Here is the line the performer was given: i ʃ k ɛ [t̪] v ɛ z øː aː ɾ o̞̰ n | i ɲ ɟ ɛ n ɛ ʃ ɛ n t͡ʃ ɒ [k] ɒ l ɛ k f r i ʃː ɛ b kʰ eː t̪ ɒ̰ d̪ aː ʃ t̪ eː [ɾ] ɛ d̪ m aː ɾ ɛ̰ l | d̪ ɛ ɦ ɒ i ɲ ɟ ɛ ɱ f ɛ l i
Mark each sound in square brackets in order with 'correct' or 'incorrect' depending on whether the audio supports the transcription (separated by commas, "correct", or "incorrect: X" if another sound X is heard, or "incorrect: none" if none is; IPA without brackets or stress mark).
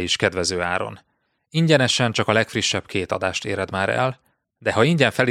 incorrect: d̪, correct, correct